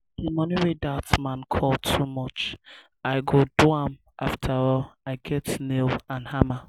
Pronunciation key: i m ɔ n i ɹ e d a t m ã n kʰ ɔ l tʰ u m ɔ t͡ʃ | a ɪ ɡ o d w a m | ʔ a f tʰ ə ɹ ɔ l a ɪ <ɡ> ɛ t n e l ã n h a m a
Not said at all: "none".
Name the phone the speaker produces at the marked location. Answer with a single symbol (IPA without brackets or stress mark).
ɡ